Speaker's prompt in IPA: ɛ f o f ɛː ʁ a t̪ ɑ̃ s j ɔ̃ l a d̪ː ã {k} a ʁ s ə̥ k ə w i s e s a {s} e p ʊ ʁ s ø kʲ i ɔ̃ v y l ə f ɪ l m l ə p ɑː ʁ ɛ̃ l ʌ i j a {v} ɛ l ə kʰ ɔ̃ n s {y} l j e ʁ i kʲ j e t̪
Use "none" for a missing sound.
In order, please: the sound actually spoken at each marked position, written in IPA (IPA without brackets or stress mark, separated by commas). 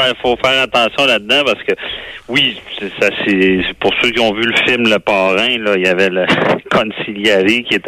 p, s, v, i